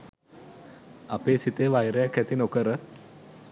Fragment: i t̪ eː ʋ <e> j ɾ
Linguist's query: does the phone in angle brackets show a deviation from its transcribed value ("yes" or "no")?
yes